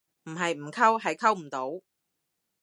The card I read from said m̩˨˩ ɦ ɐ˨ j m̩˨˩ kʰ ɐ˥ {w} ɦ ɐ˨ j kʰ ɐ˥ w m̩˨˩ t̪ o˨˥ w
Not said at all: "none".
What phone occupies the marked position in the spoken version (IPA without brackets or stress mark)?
w